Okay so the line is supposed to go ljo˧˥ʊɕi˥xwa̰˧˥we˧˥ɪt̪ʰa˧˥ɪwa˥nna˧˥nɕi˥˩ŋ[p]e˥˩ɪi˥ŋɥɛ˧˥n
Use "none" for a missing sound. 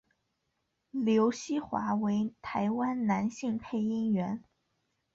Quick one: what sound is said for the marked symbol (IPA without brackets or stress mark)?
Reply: pʰ